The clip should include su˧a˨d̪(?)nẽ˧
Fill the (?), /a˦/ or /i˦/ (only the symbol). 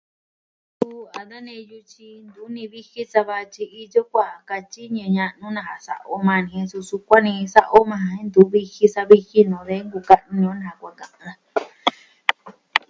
a˦